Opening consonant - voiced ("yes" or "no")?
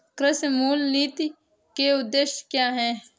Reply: no